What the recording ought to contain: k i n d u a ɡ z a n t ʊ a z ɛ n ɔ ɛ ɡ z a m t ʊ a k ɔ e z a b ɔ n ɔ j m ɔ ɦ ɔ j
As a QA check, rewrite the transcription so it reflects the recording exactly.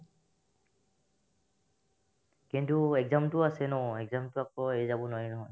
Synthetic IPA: k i n t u ɛ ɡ z a m t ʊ a s ɛ n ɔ ɛ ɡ z a m t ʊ a k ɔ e z a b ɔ n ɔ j n ɔ ɦ ɔ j